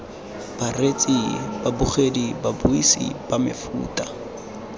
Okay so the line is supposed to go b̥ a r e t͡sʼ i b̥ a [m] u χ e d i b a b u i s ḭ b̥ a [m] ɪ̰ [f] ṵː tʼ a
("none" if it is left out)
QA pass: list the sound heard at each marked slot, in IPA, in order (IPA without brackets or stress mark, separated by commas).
b, m, f